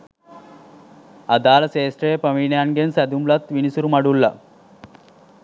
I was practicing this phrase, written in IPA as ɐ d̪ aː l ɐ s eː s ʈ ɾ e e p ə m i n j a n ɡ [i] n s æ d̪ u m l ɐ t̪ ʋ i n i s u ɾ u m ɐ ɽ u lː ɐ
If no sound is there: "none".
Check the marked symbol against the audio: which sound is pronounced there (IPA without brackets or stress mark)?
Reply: e